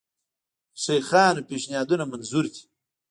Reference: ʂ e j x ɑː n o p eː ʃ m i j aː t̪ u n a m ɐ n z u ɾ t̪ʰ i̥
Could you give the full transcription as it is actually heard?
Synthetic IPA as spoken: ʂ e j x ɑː n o p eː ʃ n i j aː d̪ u n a m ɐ n z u ɾ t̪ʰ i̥